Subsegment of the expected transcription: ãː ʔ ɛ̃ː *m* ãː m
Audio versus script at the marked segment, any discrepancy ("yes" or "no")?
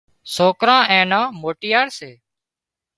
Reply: yes